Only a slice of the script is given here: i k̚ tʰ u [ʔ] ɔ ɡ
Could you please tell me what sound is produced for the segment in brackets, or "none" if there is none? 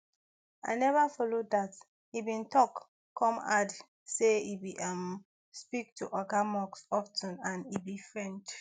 ʔ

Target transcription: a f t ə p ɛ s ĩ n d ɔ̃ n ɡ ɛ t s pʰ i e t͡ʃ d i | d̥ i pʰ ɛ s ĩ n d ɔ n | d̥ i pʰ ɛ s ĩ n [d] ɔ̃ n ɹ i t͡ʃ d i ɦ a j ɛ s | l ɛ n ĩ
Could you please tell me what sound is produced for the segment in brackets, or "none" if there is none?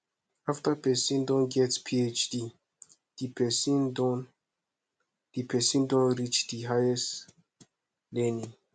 d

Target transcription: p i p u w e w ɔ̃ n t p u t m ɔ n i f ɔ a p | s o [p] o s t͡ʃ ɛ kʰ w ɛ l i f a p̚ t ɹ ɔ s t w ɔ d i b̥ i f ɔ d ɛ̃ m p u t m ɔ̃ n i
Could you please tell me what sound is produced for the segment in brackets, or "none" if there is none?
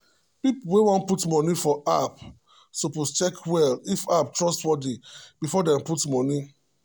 p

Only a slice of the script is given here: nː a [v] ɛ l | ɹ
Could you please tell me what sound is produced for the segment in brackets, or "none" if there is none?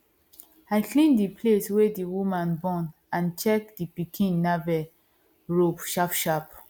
v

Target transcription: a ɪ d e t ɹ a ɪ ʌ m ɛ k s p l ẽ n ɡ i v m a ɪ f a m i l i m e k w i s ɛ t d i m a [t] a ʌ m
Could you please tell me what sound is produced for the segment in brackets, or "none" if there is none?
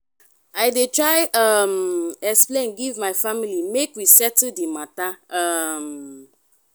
t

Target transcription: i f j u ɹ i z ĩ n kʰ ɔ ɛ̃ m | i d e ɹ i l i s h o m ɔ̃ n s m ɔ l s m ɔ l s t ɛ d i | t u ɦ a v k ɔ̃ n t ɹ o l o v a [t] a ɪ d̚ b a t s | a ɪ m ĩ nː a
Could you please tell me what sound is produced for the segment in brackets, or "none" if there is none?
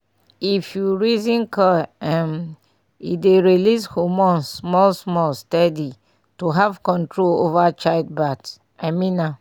t͡ʃ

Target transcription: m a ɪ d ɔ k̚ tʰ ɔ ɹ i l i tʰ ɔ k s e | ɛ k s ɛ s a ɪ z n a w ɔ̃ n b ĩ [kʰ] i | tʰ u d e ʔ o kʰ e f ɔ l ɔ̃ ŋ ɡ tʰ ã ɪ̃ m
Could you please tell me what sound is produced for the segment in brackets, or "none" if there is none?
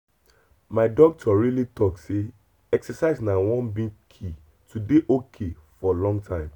kʰ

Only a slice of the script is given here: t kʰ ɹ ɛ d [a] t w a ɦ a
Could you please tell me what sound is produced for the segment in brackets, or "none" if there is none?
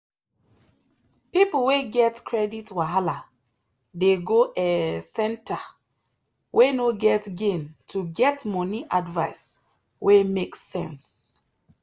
i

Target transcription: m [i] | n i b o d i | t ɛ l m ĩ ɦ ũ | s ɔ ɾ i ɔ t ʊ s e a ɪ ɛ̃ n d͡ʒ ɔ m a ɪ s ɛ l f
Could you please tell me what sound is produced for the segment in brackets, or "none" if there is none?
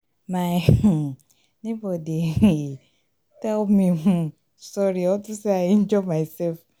a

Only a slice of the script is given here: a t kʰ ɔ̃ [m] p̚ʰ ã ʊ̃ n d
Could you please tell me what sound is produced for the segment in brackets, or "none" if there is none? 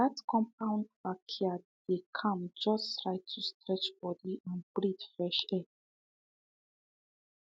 m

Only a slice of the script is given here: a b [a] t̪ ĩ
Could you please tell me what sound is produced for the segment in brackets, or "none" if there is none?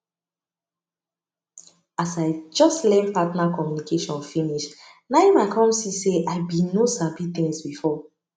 i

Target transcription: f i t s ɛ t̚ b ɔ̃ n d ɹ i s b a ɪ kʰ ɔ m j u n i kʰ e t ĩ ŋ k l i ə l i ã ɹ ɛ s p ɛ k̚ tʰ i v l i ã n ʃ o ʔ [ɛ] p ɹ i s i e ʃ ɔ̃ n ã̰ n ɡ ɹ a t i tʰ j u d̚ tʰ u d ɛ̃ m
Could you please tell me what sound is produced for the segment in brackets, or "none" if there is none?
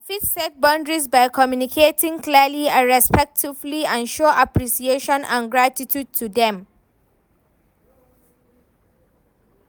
a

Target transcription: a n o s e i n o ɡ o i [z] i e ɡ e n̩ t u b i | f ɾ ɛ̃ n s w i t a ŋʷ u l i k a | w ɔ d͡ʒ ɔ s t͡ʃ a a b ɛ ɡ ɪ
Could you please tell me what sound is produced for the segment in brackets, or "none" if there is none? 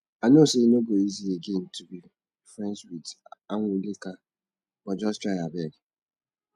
z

